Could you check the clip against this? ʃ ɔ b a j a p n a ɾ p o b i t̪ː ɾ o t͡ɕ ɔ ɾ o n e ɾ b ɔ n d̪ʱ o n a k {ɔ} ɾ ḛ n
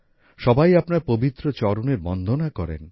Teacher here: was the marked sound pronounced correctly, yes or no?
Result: yes